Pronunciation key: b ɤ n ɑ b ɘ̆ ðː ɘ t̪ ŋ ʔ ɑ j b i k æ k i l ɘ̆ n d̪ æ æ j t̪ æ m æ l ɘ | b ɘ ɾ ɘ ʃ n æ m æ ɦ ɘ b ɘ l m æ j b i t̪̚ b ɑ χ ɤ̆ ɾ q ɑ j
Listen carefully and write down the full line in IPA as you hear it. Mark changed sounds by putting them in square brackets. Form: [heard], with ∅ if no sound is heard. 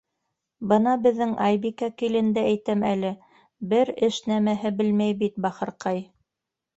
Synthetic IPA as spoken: b ɤ n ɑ b ɘ̆ ðː ɘ [∅] ŋ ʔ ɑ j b i k æ k i l ɘ̆ n d̪ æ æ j t̪ æ m æ l ɘ | b ɘ ɾ ɘ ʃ n æ m æ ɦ ɘ b ɘ l m æ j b i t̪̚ b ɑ χ ɤ̆ ɾ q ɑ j